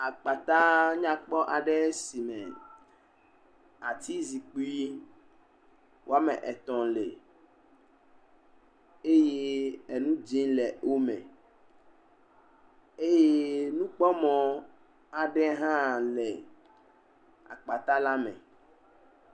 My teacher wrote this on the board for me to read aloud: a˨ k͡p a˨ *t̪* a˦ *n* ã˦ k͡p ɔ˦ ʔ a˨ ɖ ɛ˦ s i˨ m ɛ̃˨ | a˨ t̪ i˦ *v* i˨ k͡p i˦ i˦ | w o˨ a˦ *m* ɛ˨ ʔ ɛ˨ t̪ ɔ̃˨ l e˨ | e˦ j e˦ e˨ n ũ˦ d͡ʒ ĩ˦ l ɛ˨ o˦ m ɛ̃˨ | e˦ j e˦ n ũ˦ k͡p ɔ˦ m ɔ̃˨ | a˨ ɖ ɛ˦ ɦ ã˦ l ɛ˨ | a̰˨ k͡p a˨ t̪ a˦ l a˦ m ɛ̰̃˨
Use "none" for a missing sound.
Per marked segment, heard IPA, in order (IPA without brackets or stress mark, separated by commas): t̪, ɲ, z, m